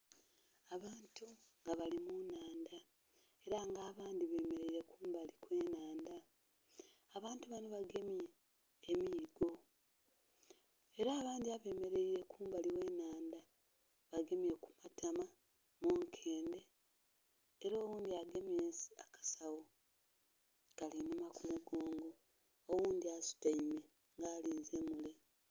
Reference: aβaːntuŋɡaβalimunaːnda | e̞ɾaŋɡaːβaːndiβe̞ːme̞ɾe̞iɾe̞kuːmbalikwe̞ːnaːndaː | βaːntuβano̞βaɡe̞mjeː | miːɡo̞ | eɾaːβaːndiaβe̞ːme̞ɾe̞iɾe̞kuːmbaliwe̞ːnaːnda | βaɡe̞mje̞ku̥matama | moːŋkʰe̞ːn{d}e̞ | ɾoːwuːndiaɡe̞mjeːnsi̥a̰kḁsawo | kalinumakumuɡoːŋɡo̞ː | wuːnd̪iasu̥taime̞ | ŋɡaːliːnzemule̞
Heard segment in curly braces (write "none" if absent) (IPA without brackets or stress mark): d